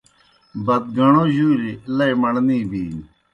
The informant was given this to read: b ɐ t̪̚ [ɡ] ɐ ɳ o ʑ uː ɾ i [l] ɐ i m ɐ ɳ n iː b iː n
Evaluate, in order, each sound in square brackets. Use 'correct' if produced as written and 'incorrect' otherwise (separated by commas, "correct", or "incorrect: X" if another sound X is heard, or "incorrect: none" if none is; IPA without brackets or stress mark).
correct, correct